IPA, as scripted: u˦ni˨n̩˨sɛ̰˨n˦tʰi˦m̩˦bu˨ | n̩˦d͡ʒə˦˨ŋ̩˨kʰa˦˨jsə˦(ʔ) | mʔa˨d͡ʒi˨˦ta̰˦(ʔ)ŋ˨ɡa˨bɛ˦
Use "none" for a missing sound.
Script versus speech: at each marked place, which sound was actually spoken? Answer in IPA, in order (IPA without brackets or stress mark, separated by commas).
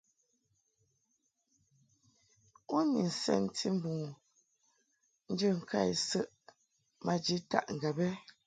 ʔ, ʔ